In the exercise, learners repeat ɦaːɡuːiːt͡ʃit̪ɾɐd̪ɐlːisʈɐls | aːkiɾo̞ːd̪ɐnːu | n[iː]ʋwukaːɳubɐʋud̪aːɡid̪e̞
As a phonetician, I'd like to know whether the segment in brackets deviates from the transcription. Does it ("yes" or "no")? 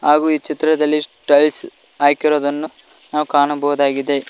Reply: yes